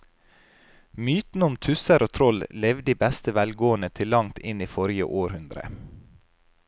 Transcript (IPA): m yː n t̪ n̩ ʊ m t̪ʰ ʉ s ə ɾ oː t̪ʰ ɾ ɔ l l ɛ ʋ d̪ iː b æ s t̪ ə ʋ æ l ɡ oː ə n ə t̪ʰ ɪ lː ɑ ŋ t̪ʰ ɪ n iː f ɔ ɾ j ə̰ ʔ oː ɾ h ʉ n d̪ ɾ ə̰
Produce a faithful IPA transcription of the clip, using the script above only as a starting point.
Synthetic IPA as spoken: m yː t̪ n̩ ʊ m t̪ʰ ʉ s ə ɾ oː t̪ʰ ɾ ɔ l l ɛ ʋ d̪ iː b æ s t̪ ə ʋ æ l ɡ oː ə n ə t̪ʰ ɪ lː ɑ ŋ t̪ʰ ɪ n iː f ɔ ɾ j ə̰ ʔ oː ɾ h ʉ n d̪ ɾ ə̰